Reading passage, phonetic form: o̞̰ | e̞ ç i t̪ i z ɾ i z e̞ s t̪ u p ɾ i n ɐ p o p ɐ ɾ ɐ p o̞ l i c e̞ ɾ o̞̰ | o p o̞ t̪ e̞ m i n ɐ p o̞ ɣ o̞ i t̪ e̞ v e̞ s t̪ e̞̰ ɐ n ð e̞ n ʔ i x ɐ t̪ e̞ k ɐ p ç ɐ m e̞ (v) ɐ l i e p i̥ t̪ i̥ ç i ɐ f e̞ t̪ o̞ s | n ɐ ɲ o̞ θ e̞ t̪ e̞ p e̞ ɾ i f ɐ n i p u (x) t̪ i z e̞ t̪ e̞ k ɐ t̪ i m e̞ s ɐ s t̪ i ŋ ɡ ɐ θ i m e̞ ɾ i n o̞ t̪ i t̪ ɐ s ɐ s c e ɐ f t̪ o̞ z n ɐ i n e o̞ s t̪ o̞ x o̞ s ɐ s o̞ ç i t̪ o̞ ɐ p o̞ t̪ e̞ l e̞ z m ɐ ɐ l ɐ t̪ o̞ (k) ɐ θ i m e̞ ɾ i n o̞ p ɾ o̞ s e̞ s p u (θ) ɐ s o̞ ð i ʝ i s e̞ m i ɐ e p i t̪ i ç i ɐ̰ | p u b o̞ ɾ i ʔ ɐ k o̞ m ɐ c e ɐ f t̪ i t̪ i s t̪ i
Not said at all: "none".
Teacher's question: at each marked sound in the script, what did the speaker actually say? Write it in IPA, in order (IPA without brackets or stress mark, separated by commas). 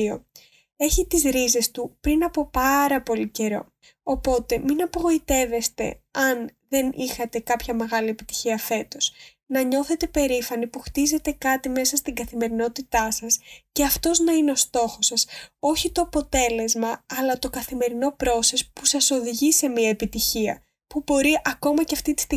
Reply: ɣ, x, k, s